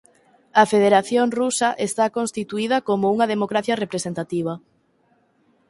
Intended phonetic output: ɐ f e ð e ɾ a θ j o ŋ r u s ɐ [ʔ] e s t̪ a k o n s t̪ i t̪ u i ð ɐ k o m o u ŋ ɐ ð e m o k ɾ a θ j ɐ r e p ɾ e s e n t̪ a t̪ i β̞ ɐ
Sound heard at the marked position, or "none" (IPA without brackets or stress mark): ʔ